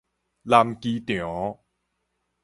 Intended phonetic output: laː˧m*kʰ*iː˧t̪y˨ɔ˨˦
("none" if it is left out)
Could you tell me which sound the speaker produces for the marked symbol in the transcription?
k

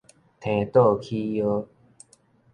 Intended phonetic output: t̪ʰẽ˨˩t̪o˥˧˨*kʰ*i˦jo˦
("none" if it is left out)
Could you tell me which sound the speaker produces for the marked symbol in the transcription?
kʰ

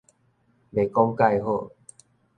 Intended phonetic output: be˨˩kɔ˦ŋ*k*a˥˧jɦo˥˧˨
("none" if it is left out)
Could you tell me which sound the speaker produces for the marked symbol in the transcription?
k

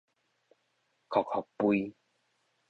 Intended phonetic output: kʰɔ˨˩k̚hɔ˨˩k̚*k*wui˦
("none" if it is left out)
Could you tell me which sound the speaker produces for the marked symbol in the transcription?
p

